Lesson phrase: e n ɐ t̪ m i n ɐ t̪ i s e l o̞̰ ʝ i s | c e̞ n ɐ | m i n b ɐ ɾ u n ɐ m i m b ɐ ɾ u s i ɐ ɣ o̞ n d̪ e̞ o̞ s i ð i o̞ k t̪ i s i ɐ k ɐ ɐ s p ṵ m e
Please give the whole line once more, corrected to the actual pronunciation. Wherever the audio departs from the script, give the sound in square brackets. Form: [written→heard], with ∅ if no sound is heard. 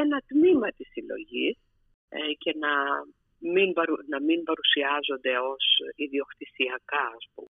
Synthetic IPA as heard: e n ɐ t̪ m i [n→m] ɐ t̪ i s [e→i] l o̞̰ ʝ i s | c e̞ n ɐ | m i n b ɐ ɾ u n ɐ m i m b ɐ ɾ u s i ɐ [ɣ→z] o̞ n d̪ e̞ o̞ s i ð i o̞ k t̪ i s i ɐ k ɐ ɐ s p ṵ m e